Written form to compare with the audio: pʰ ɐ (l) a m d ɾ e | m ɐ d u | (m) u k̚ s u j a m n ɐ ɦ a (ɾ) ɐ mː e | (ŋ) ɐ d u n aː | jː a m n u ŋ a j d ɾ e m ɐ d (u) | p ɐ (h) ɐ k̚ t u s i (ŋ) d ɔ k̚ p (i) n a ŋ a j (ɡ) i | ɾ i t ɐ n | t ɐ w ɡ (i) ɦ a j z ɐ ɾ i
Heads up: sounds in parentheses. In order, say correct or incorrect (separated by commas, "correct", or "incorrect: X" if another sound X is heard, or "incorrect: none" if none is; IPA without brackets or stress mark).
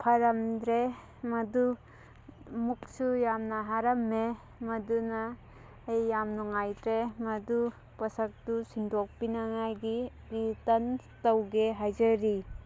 incorrect: ɾ, correct, correct, incorrect: m, correct, incorrect: s, incorrect: n, correct, correct, incorrect: e